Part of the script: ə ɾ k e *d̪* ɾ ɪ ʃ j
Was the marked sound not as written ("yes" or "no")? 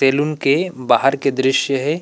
no